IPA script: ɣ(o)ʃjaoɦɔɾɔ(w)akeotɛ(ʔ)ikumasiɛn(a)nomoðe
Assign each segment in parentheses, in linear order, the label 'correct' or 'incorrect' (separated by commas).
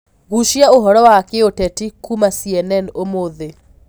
incorrect, correct, incorrect, incorrect